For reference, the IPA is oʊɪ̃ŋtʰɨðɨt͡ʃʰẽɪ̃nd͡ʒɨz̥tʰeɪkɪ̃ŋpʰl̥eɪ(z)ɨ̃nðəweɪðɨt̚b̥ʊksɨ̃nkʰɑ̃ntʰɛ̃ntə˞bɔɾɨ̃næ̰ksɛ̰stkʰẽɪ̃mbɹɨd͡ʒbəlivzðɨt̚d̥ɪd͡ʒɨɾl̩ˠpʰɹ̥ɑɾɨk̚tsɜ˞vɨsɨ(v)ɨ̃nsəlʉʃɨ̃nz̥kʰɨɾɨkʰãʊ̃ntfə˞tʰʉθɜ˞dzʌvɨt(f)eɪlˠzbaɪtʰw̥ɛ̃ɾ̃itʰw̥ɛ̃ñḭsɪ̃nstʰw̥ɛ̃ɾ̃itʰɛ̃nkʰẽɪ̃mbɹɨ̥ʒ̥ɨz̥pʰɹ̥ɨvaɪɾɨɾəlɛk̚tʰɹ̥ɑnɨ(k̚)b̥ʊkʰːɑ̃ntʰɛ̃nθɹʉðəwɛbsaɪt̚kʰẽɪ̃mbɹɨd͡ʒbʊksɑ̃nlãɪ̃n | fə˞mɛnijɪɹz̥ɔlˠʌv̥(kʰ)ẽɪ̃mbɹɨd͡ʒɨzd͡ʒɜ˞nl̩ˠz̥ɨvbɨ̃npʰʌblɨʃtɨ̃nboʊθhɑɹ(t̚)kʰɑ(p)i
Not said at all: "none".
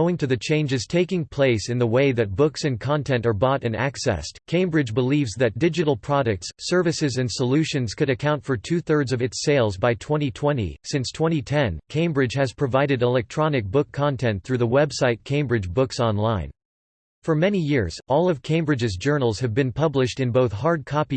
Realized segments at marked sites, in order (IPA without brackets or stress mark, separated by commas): s, z, s, k̚, kʰ, d̚, p